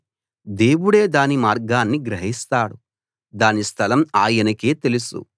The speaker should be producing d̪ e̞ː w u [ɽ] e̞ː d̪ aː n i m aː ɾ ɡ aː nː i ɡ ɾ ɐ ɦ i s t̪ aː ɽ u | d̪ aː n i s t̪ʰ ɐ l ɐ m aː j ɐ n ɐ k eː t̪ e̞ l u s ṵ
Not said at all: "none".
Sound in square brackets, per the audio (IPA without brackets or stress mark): ɽ